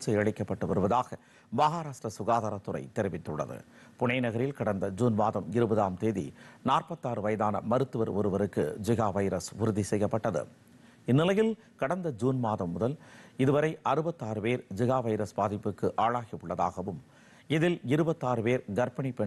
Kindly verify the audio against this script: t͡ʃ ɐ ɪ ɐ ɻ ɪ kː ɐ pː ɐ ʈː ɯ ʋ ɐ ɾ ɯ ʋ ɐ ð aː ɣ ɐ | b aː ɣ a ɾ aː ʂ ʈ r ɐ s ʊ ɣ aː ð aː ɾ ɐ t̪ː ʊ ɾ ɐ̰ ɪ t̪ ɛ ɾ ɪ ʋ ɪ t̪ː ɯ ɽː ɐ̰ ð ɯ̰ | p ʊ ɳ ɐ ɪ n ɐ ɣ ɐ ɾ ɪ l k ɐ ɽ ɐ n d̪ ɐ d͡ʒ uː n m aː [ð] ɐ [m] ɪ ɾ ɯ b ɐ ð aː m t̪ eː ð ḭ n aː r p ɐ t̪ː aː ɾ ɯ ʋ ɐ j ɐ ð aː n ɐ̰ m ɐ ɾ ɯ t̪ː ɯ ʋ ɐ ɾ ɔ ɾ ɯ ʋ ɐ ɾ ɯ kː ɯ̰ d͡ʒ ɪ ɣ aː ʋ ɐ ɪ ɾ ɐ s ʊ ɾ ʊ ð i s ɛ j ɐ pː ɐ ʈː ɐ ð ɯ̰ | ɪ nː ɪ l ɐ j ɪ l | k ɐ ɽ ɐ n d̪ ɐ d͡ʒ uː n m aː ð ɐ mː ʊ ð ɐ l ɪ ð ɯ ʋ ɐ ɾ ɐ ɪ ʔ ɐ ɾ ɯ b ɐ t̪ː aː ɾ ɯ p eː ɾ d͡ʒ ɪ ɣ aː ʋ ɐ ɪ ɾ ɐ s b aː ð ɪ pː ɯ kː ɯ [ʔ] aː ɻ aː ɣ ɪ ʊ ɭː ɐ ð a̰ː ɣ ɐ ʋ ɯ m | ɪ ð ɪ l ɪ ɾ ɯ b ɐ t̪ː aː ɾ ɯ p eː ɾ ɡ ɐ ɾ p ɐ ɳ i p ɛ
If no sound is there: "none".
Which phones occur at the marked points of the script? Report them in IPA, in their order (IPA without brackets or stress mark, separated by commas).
ð, m, ʔ